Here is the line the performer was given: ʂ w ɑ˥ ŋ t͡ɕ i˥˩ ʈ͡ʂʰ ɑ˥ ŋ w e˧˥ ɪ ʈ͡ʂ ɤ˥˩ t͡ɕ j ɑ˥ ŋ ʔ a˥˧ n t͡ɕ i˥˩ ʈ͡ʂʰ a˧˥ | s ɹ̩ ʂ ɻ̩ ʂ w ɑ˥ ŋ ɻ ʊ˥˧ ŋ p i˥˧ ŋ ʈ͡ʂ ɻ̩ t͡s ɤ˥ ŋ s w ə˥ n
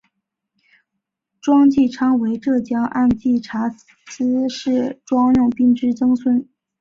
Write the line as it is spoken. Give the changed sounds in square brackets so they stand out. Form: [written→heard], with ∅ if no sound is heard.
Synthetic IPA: [ʂ→ʈ͡ʂ] w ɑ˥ ŋ t͡ɕ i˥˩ ʈ͡ʂʰ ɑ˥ ŋ w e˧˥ ɪ ʈ͡ʂ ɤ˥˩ t͡ɕ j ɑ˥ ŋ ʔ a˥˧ n t͡ɕ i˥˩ ʈ͡ʂʰ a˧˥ | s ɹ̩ ʂ ɻ̩ [ʂ→ʈ͡ʂ] w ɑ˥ ŋ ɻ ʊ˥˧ ŋ p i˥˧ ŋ ʈ͡ʂ ɻ̩ t͡s ɤ˥ ŋ s w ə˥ n